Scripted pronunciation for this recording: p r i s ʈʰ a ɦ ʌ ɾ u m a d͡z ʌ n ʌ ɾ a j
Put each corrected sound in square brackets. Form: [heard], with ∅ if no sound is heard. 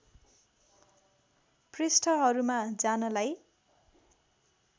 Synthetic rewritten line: p r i s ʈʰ [ʌ] ɦ ʌ ɾ u m a d͡z [a] n ʌ [l] a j

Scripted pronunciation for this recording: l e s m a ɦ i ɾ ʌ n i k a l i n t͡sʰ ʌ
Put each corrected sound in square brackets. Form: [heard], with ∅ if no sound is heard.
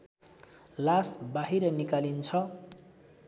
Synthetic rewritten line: l [a] s [b] a ɦ i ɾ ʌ n i k a l i n t͡sʰ ʌ

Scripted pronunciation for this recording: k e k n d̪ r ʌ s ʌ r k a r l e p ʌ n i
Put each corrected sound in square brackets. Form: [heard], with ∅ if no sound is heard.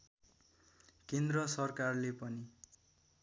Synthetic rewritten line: k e [∅] n d̪ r ʌ s ʌ r k a r l e p ʌ n i

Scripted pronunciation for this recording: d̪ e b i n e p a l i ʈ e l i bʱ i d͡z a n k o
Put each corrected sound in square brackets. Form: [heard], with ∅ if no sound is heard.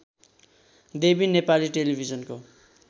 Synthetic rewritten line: d̪ e b i n e p a l i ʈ e l i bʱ i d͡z [ʌ] n k o

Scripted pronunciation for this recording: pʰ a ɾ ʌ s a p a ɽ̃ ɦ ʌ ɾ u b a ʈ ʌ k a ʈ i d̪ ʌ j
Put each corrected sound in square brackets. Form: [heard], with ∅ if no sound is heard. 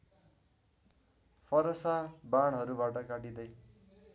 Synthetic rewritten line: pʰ [ʌ] ɾ ʌ s a [b] a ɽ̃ ɦ ʌ ɾ u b a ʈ ʌ k a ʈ i d̪ ʌ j

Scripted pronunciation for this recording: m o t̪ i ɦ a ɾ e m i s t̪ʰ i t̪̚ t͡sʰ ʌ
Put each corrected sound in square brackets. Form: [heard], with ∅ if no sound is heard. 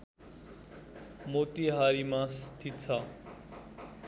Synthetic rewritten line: m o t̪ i ɦ a ɾ [i] m [a] s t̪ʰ i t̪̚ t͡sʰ ʌ

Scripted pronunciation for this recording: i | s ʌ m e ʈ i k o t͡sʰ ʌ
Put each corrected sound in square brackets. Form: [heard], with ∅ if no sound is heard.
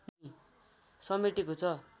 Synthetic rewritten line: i | s ʌ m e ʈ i k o t͡sʰ ʌ

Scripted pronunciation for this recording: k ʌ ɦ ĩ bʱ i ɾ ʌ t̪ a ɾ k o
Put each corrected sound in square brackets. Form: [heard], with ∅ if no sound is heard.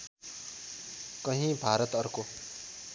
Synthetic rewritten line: k ʌ ɦ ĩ bʱ [a] ɾ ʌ t̪ [ʌ] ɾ k o

